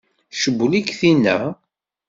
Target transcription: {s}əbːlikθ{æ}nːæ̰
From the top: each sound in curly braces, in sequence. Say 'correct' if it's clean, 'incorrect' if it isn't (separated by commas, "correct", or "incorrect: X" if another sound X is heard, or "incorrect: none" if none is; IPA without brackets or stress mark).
incorrect: ʃ, incorrect: i